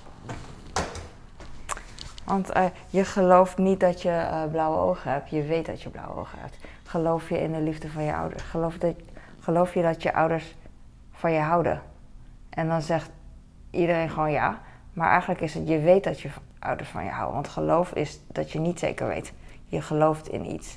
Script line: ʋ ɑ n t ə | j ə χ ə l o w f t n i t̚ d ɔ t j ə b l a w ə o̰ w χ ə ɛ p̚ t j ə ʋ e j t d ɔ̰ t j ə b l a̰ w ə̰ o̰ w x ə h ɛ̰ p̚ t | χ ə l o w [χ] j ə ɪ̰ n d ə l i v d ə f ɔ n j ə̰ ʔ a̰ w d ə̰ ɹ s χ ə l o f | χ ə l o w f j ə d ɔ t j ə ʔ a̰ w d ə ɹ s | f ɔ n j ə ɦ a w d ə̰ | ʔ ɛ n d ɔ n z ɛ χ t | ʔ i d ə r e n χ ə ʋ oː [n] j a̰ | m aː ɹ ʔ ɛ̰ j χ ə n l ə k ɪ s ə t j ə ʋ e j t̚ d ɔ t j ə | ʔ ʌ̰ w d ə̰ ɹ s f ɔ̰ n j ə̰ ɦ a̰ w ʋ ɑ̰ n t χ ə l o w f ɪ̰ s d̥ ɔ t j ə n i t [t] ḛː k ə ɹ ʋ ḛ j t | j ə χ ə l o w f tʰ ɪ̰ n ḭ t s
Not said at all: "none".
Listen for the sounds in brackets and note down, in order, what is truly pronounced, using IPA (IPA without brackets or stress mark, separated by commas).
f, n, s